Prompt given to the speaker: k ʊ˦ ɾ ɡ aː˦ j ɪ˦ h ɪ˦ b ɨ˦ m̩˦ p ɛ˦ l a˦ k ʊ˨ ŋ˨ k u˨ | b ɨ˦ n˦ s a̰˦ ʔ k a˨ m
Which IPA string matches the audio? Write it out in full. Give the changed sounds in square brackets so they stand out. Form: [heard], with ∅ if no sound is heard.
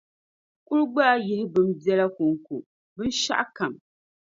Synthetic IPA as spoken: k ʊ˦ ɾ [ɡ͡b] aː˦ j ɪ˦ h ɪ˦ b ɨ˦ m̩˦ [b] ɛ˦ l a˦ k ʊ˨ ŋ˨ k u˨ | b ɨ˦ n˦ [ʃ] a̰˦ ʔ k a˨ m

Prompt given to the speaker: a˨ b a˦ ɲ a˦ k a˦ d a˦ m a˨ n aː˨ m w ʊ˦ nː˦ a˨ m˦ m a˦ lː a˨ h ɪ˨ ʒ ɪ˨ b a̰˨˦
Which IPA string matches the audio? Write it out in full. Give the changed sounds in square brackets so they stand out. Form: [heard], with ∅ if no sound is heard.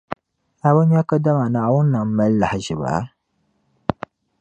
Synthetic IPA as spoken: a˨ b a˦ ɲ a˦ k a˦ d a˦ m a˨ n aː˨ [∅] w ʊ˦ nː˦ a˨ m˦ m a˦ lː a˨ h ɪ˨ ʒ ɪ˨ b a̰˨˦

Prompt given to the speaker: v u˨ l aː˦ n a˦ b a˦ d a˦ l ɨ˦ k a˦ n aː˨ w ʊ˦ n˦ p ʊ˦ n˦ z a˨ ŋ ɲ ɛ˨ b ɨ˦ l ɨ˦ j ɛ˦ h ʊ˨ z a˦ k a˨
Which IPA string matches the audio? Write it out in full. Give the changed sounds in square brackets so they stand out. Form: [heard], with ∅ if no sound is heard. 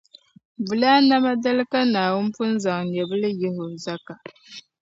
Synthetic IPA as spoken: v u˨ l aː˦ n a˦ [m] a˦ d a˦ l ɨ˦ k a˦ n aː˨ w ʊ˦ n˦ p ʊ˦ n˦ z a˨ ŋ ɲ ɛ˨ b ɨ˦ l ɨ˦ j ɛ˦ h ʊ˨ z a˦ k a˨

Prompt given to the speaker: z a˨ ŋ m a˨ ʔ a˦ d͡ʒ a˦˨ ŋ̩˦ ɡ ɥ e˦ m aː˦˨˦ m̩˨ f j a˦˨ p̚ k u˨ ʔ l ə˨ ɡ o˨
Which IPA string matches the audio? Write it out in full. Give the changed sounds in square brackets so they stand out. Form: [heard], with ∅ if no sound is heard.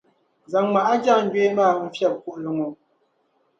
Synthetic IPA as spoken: z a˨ ŋ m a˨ ʔ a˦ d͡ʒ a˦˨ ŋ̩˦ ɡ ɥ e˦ m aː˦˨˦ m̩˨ f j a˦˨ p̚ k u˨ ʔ l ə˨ [ŋ] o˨

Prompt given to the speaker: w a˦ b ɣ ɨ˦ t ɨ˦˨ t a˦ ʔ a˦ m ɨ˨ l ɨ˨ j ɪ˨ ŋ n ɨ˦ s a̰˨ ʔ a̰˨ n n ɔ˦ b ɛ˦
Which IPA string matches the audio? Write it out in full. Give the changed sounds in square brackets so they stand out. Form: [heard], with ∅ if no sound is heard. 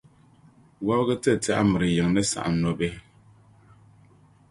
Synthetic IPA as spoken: w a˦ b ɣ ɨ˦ t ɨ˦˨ t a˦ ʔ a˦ m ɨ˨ [ɾ] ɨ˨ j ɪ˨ ŋ n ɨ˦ s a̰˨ ʔ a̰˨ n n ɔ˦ b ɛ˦

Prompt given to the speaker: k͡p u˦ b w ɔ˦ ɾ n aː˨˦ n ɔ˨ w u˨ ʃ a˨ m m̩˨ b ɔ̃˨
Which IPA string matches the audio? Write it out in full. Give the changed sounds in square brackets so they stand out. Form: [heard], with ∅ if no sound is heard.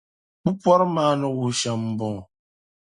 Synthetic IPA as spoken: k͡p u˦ [p] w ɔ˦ ɾ [m] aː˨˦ n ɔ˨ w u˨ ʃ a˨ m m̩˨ b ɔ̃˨

